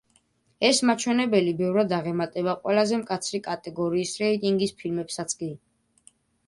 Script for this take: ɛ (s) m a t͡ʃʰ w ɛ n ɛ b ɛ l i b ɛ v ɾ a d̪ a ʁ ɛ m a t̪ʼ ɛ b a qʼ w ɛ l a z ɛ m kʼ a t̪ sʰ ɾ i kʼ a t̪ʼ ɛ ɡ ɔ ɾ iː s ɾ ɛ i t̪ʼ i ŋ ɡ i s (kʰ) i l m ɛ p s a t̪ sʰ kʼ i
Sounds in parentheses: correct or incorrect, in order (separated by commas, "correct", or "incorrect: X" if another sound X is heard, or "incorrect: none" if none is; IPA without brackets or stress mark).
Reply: correct, incorrect: pʰ